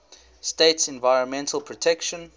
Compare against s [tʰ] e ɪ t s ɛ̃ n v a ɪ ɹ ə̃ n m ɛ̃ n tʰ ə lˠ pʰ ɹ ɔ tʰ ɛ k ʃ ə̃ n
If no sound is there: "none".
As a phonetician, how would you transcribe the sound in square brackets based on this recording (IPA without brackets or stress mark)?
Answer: t